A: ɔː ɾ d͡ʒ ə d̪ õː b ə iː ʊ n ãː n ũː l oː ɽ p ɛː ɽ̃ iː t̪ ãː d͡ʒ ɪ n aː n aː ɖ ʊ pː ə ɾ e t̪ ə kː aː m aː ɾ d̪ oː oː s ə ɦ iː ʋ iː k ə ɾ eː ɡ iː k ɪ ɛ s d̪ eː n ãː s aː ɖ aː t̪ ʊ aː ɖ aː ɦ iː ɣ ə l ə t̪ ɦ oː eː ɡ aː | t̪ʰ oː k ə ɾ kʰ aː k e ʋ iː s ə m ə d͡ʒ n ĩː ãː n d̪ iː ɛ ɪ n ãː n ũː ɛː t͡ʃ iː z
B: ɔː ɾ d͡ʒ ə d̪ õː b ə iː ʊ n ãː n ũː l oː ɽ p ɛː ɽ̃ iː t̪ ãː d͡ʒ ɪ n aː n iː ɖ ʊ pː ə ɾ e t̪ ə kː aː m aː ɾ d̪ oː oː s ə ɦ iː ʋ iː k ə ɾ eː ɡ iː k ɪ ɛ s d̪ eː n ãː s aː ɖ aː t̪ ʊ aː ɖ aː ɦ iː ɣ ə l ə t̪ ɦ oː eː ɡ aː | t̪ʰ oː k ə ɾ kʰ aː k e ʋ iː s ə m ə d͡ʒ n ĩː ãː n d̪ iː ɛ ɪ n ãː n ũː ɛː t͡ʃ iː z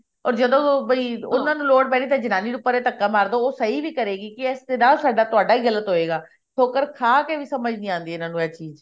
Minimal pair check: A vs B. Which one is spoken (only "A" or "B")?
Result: B